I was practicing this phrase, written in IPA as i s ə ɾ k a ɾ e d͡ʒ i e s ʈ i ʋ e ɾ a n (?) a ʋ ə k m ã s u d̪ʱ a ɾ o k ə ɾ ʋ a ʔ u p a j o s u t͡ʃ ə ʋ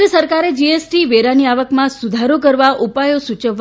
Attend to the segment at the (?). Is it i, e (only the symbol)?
i